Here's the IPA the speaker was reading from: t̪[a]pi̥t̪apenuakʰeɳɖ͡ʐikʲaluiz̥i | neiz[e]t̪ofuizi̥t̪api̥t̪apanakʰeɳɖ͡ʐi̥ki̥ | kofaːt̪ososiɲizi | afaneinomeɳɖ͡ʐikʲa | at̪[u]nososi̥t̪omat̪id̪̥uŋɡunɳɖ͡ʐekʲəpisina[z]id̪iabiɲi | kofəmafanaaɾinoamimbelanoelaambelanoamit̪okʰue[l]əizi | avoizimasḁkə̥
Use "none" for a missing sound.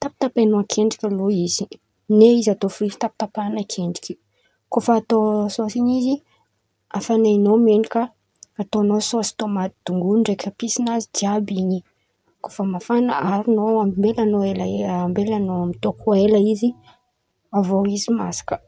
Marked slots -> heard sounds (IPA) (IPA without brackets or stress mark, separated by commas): a, a, o, z, l